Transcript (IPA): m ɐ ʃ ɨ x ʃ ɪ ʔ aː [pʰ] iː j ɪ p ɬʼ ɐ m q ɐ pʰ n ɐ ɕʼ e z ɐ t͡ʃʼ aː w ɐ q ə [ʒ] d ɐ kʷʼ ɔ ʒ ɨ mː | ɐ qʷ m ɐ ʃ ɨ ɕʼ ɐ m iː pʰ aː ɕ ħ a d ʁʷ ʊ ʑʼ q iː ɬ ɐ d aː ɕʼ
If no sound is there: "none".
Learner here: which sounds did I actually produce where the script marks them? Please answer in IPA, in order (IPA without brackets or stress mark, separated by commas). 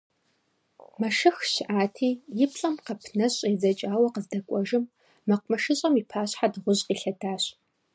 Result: tʰ, z